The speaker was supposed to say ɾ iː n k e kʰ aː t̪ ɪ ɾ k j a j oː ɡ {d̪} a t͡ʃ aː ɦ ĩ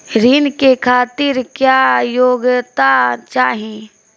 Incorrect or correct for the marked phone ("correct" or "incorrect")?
incorrect